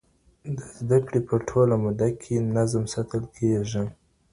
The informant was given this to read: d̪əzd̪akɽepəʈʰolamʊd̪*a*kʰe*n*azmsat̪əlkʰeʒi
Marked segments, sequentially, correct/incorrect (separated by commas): correct, correct